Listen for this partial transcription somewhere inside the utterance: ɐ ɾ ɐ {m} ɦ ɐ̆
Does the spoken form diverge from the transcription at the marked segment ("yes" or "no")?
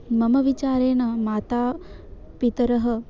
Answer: yes